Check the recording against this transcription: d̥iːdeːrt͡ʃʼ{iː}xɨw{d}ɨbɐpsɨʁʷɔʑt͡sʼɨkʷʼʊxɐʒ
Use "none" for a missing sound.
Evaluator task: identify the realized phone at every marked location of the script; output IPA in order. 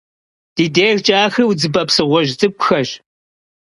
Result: aː, d͡z

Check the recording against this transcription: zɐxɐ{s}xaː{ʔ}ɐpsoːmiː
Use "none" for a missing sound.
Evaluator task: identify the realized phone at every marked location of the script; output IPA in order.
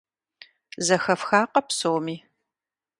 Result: f, q

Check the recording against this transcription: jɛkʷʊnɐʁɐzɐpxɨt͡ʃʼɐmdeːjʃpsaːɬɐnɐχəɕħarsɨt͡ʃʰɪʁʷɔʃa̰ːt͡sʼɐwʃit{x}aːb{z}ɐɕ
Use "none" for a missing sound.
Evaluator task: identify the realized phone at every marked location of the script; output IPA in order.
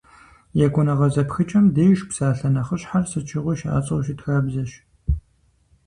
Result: x, z

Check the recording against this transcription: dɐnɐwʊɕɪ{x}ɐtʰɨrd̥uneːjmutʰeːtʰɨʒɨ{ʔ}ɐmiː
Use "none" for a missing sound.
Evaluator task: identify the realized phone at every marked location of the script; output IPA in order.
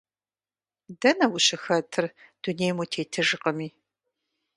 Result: x, q

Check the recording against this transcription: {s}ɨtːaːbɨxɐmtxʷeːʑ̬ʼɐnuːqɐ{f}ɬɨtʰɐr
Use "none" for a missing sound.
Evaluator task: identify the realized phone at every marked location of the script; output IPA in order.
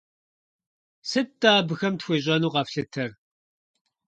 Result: s, f

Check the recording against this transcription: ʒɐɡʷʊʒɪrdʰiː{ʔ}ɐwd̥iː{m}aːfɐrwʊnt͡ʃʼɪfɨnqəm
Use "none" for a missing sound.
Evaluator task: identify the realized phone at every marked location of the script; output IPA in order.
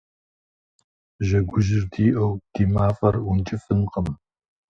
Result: ʔ, m

